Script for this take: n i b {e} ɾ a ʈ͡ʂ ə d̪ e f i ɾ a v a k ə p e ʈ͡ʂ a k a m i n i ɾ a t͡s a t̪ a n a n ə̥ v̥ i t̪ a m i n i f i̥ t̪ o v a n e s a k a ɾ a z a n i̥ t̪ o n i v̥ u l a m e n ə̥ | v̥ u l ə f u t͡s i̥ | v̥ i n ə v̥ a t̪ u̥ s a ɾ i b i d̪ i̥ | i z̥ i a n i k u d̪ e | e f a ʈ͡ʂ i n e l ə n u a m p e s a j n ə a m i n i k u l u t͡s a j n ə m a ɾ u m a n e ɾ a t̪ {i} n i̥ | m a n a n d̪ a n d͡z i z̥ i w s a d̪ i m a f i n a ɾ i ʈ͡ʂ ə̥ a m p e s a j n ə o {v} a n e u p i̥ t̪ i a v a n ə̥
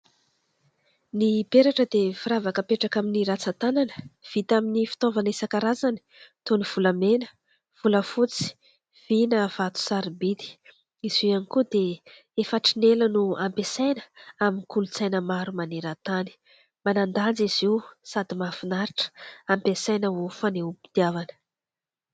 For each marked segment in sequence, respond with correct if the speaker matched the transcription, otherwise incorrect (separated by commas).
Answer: correct, incorrect, incorrect